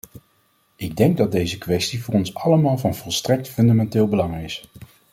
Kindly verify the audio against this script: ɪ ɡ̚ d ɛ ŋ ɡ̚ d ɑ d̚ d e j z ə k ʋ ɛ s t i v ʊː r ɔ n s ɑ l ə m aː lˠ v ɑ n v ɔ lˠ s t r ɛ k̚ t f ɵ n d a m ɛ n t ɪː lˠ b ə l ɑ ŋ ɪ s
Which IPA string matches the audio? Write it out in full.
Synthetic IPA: ɪ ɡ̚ d ɛ ŋ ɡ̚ d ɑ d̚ d e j z ə k ʋ ɛ s t i v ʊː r ɔ n s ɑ l ə m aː lˠ v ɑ n v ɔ lˠ s t r ɛ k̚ t f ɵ n d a m ɛ n t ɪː lˠ b ə l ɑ ŋ ɪ s